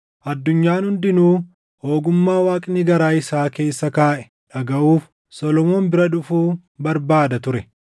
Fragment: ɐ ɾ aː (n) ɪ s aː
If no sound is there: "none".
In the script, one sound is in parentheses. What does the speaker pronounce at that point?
none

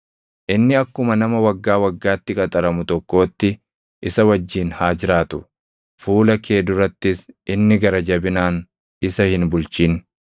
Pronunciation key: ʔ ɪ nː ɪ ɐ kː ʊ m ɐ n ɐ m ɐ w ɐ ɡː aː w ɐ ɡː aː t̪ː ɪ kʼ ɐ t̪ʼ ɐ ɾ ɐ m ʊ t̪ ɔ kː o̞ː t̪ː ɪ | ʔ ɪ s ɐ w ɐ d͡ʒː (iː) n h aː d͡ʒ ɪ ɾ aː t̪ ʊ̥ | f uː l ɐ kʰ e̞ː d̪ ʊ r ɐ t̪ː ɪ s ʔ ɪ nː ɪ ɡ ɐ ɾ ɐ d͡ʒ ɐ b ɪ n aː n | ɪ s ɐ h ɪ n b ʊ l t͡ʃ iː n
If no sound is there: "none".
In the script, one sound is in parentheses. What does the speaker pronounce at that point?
iː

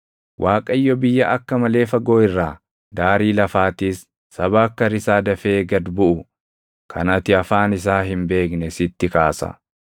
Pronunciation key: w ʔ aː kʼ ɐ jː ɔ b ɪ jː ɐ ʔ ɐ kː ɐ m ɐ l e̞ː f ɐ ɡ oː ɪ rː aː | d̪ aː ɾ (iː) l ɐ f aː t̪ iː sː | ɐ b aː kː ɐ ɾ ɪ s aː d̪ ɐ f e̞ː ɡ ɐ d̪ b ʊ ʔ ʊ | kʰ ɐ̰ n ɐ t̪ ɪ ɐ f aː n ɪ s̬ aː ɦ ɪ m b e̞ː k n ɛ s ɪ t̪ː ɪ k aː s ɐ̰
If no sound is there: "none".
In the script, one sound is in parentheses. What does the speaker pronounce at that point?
iː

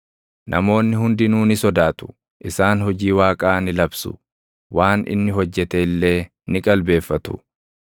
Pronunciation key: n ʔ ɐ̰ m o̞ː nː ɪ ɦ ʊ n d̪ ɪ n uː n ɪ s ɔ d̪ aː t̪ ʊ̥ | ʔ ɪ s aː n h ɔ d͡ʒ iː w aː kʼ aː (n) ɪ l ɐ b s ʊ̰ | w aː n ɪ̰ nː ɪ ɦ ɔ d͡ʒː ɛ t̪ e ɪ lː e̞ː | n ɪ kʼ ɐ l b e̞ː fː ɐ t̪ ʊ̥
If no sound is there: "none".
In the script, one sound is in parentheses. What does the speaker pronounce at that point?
n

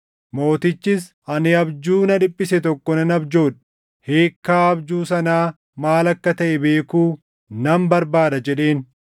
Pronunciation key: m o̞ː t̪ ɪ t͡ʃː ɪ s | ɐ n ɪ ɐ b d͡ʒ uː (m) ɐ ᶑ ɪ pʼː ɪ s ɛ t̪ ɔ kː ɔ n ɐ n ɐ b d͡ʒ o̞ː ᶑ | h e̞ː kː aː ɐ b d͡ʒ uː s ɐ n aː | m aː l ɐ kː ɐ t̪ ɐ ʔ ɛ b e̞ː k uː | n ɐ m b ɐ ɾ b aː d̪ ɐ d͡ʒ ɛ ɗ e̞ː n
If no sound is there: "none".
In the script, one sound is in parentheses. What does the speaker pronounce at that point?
n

